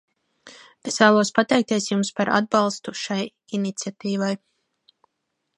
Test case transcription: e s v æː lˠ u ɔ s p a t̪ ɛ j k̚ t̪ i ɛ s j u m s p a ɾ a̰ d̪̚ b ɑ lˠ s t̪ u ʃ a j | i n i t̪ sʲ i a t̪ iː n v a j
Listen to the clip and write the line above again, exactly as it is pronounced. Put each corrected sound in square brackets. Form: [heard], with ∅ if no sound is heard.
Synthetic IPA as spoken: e s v æː lˠ u ɔ s p a t̪ ɛ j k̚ t̪ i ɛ s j u m s p a ɾ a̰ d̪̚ b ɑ lˠ s t̪ u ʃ a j | i n i t̪ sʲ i a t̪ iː [∅] v a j